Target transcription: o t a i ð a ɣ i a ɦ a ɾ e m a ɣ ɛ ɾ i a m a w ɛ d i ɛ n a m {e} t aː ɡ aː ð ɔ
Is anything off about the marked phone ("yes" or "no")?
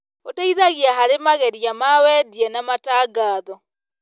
yes